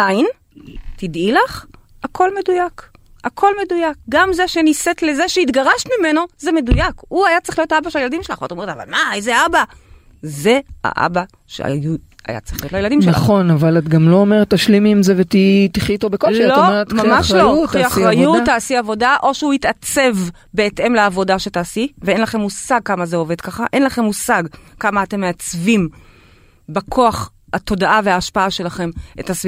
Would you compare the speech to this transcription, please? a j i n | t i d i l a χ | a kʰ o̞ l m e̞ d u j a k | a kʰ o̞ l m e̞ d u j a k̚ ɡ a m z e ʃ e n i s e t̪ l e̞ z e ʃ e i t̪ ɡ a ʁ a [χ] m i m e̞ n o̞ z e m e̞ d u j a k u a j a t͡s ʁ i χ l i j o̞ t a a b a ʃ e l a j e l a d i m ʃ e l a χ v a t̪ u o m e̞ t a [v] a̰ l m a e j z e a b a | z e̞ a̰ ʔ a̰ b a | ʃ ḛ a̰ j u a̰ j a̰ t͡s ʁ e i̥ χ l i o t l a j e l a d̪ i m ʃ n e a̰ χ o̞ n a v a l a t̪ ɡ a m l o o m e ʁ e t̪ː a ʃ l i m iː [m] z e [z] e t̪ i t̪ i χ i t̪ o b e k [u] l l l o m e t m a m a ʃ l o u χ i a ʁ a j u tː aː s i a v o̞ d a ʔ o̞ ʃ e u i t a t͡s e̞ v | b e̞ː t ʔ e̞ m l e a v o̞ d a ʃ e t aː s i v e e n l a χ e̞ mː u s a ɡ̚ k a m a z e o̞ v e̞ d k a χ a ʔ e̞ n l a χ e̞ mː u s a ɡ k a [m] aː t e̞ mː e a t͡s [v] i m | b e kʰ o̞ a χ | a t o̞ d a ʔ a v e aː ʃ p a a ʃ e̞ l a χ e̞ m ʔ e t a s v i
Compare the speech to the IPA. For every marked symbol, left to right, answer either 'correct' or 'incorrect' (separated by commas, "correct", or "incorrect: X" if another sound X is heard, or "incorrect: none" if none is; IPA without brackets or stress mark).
incorrect: ʃ, correct, correct, incorrect: v, incorrect: o, correct, correct